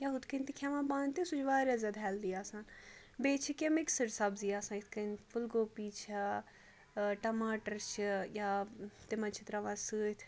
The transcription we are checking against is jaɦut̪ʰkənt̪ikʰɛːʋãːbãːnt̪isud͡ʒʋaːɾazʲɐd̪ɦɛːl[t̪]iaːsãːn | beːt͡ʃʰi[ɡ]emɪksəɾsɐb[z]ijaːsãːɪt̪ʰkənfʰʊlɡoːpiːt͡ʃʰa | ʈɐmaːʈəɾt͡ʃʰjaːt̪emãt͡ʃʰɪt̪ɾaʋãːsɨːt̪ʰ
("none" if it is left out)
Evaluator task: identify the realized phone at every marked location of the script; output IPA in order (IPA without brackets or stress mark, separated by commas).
d̪, k, z